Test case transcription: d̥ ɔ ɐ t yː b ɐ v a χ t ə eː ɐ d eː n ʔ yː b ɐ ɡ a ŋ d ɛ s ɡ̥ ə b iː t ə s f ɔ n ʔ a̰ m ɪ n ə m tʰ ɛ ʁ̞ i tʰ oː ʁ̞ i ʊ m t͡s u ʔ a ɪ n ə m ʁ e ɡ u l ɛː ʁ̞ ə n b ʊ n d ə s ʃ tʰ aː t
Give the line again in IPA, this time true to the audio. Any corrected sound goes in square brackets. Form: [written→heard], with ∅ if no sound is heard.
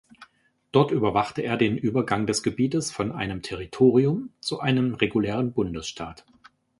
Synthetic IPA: d̥ ɔ ɐ t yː b ɐ v a χ t ə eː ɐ d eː n ʔ yː b ɐ ɡ a ŋ d ɛ s ɡ̥ ə b iː t ə s f ɔ n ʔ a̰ [m→∅] ɪ n ə m tʰ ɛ ʁ̞ i tʰ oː ʁ̞ i ʊ m t͡s u ʔ a ɪ n ə m ʁ e ɡ u l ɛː ʁ̞ ə n b ʊ n d ə s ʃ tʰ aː t